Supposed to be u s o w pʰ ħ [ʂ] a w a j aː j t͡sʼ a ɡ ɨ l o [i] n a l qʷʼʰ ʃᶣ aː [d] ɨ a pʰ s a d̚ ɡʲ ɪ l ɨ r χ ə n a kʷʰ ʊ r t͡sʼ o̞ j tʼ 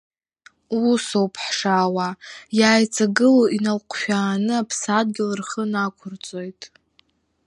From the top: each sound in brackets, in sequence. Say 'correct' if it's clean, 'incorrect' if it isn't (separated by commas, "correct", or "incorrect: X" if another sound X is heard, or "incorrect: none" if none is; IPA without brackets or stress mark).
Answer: correct, correct, incorrect: n